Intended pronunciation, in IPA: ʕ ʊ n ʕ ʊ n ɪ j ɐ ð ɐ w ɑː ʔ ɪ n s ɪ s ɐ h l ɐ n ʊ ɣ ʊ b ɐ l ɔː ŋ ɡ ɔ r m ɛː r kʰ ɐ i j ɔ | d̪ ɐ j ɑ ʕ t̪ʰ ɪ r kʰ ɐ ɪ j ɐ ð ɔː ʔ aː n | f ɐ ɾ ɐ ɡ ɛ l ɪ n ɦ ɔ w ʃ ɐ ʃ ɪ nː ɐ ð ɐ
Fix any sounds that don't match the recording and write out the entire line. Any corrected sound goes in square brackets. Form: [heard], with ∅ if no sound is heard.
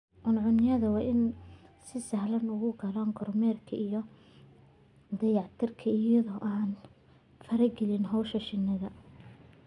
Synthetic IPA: ʕ ʊ n ʕ ʊ n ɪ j ɐ ð ɐ w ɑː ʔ ɪ n s ɪ s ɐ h l ɐ n ʊ ɣ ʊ [ɡ] ɐ l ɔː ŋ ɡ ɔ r m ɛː r kʰ ɐ i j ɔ | d̪ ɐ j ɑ ʕ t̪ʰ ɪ r kʰ ɐ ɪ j ɐ ð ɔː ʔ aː n | f ɐ ɾ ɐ ɡ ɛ l ɪ n ɦ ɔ w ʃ ɐ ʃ ɪ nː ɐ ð ɐ